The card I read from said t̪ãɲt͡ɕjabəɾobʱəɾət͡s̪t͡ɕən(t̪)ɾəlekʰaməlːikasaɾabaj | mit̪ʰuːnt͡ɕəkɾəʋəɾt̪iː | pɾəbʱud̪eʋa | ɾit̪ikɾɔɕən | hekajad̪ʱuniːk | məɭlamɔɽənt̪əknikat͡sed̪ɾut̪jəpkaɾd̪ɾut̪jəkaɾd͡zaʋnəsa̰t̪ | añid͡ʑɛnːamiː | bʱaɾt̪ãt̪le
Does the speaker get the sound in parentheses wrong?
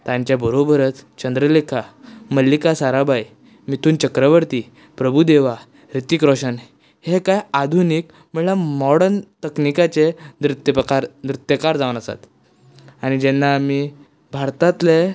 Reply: yes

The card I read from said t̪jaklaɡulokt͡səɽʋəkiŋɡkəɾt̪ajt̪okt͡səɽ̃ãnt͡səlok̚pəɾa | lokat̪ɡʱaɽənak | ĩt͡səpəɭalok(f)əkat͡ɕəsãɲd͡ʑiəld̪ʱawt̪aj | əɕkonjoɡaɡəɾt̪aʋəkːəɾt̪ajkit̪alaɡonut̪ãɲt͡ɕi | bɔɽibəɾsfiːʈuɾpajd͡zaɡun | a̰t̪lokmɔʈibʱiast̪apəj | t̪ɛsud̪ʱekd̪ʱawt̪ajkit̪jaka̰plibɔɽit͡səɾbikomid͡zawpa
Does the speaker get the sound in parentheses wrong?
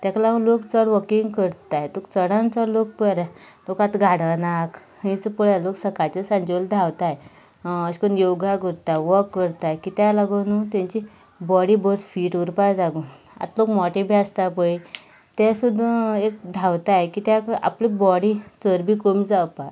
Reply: yes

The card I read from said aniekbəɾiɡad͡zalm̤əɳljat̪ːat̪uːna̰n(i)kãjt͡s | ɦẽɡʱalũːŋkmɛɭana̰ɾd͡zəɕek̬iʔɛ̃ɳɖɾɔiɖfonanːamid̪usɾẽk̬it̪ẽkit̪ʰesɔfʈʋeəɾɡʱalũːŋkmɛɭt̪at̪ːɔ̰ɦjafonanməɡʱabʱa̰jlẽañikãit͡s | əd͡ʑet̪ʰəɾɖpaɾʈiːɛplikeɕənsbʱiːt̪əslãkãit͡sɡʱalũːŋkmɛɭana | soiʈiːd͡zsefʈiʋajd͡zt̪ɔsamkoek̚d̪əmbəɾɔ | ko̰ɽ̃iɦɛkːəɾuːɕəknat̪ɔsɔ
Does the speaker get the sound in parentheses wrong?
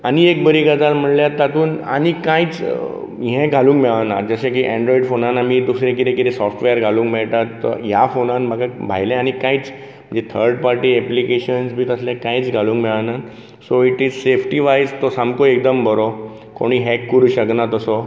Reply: no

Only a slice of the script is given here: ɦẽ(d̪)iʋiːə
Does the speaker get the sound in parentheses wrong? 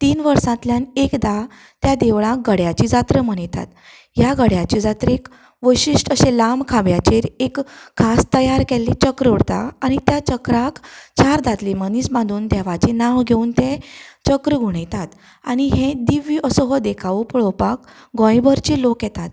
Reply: no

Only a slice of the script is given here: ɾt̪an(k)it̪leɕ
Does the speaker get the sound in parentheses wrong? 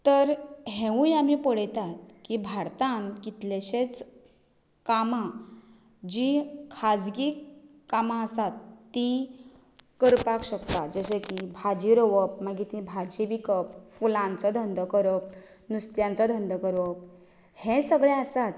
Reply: no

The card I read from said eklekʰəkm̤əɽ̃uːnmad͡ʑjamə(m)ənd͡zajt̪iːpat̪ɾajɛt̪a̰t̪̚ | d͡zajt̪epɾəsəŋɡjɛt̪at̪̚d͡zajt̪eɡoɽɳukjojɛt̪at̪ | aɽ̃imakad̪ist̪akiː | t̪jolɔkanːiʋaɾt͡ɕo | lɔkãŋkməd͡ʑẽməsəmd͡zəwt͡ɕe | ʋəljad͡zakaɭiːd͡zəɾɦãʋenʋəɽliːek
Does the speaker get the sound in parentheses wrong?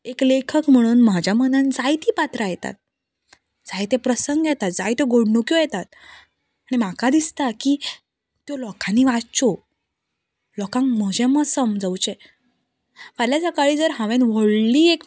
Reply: yes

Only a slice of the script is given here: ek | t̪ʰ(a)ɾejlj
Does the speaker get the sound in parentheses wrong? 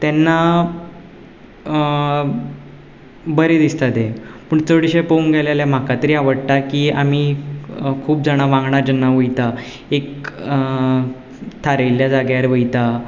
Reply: no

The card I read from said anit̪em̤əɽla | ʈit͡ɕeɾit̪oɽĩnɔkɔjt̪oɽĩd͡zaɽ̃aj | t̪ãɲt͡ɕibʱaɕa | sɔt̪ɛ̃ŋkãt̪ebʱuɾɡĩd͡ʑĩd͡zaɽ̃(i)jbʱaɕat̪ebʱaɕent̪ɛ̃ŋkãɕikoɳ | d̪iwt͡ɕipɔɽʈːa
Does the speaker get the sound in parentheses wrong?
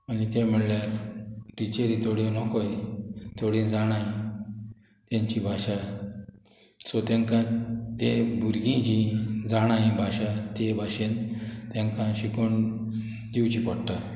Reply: yes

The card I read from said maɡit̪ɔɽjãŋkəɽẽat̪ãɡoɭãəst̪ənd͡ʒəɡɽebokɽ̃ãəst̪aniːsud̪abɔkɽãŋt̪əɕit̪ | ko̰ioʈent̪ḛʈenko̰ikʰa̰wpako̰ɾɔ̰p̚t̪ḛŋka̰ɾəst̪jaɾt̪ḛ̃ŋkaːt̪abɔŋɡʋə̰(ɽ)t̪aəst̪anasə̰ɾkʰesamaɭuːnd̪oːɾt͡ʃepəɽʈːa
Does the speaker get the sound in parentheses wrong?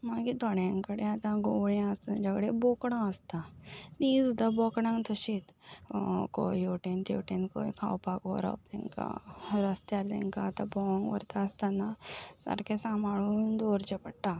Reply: yes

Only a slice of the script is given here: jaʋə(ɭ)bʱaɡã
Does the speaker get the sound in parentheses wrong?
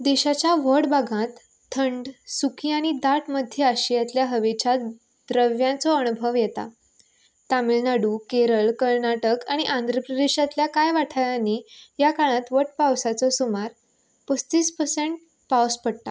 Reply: yes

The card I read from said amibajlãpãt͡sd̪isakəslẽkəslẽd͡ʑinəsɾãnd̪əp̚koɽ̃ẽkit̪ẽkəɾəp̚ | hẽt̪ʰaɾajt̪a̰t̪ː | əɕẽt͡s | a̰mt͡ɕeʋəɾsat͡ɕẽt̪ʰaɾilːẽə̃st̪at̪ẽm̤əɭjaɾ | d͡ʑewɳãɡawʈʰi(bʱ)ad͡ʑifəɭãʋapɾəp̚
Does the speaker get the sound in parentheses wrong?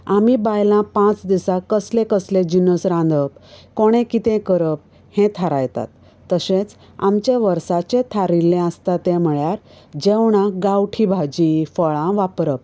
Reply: no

